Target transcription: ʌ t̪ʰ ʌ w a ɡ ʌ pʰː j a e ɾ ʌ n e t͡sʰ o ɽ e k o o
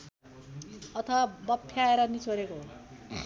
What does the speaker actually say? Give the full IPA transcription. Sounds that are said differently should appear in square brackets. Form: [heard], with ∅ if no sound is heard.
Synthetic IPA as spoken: ʌ t̪ʰ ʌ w a [b] ʌ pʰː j a e ɾ ʌ n [i] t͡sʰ o [ɾ] e k o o